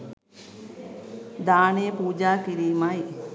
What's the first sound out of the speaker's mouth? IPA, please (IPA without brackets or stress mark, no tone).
d̪